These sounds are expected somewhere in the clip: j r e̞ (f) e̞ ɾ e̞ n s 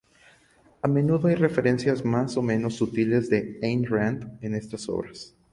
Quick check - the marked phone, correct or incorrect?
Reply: correct